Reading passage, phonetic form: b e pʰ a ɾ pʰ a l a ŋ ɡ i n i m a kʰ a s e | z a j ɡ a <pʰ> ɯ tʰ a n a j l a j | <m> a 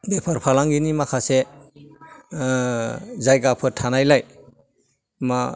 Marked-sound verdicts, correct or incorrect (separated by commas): correct, correct